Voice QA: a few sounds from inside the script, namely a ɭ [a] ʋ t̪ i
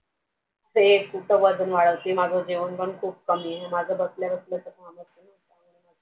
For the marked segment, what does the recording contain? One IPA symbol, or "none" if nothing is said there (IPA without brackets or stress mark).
ə